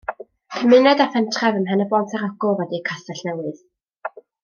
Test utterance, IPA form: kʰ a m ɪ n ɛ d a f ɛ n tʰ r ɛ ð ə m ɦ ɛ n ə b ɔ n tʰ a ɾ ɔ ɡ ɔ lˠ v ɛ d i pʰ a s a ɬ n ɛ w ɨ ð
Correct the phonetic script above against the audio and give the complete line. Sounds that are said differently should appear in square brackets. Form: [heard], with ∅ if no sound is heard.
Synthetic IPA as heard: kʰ [ə] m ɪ n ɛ d a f ɛ n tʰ r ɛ [v] ə m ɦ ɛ n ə b ɔ n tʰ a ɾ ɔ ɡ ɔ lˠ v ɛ d i [kʰ] a s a ɬ n ɛ w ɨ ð

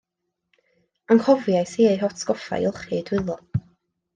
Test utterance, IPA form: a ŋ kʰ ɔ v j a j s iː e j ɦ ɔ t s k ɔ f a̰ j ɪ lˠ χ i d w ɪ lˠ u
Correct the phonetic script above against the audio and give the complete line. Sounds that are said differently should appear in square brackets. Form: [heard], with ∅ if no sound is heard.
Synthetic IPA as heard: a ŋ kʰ ɔ v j a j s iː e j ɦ ɔ t s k ɔ f a̰ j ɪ lˠ χ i d w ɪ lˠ [ɔ]

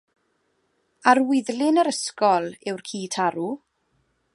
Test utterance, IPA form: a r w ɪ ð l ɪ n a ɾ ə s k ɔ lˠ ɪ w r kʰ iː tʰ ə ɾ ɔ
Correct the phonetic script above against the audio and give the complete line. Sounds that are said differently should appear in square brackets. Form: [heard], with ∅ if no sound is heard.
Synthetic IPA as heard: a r w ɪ ð l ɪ n [ə] ɾ ə s k ɔ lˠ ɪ w r kʰ iː tʰ [a] ɾ [u]

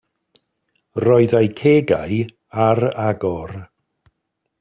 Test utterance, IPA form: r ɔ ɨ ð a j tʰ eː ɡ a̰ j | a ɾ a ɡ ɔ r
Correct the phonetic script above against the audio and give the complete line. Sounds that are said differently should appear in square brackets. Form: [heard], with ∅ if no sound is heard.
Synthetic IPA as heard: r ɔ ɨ ð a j [kʰ] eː ɡ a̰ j | a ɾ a ɡ ɔ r

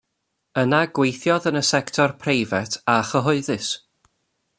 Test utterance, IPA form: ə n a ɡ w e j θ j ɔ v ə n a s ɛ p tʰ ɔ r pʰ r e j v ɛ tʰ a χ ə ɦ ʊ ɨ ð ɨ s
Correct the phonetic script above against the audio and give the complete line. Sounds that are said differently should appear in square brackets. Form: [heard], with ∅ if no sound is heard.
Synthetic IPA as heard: ə n a ɡ w e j θ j ɔ [ð] ə n [ə] s ɛ [k] tʰ ɔ r pʰ r e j v ɛ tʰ a χ ə ɦ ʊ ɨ ð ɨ s

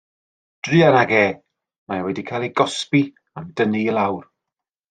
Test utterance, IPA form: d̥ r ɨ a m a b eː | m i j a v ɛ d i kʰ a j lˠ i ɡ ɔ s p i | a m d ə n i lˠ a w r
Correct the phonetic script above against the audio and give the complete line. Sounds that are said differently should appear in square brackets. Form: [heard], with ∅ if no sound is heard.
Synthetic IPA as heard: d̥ r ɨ a [n] a [ɡ] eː | m [a] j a [w] ɛ d i kʰ a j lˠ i ɡ ɔ s p i | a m d ə n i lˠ a w r

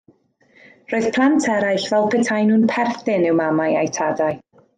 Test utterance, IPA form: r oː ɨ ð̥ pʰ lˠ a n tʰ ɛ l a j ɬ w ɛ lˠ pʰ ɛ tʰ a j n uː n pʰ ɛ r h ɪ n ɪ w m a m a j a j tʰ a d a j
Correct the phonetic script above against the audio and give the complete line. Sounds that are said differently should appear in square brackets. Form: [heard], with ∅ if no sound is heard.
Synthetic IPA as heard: r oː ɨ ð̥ pʰ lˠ a n tʰ ɛ [ɾ] a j ɬ [v] ɛ lˠ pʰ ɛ tʰ a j n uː n pʰ ɛ r [θ] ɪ n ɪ w m a m a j a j tʰ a d a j

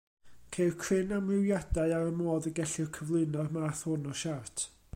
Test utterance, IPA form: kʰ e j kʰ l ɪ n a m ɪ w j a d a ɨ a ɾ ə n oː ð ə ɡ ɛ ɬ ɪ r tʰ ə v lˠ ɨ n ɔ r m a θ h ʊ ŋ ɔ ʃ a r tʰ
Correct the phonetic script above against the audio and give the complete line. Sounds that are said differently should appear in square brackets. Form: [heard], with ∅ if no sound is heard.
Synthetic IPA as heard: kʰ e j kʰ [r] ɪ n a m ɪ w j a d a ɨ a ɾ ə [m] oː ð ə ɡ ɛ ɬ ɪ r [kʰ] ə v lˠ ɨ n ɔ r m a θ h ʊ [n] ɔ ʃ a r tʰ

